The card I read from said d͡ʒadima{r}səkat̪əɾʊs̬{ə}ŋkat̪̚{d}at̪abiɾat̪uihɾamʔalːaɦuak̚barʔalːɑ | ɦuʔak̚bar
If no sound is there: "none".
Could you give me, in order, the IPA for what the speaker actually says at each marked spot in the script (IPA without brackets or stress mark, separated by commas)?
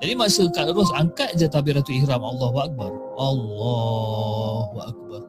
none, a, d͡ʒ